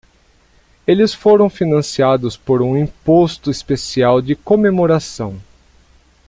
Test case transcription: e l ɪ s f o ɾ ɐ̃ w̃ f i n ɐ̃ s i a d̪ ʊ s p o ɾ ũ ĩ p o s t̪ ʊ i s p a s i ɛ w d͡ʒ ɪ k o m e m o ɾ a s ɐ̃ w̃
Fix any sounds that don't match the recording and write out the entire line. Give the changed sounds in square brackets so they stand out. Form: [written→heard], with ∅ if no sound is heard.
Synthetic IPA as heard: e l ɪ s f o ɾ ɐ̃ w̃ f i n ɐ̃ s i a d̪ ʊ s p o ɾ ũ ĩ p o s t̪ ʊ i s p [a→e] s i [ɛ→a] w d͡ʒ ɪ k o m e m o ɾ a s ɐ̃ w̃